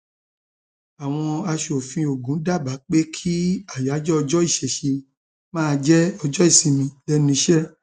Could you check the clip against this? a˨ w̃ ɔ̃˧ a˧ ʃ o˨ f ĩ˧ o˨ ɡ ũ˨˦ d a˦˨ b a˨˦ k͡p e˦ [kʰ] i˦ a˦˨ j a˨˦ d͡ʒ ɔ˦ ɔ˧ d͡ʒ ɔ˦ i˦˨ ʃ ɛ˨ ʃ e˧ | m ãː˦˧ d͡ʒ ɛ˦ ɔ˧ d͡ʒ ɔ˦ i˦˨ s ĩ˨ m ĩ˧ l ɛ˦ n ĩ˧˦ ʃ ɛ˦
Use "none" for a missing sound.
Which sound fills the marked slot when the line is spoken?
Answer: kʰ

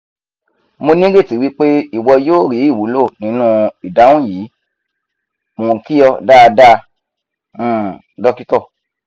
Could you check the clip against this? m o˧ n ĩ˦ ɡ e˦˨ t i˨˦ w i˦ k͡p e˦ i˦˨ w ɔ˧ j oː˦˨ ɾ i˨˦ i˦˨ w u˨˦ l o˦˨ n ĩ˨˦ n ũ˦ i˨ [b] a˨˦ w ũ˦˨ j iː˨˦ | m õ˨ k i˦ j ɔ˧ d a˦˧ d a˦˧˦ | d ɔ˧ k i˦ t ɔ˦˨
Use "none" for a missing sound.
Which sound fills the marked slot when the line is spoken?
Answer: d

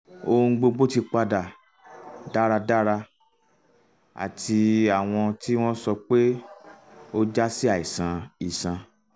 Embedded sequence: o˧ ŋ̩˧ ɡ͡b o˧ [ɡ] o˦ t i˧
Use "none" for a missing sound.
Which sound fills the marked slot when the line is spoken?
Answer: ɡ͡b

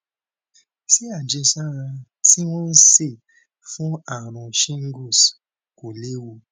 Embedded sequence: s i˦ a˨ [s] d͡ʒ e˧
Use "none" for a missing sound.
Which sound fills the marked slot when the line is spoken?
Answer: none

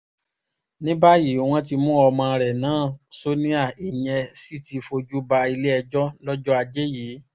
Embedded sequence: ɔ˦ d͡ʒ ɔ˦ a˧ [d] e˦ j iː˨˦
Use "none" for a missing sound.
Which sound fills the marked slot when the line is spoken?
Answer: d͡ʒ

